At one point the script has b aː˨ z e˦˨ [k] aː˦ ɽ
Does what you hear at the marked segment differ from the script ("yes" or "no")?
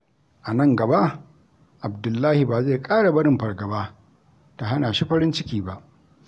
yes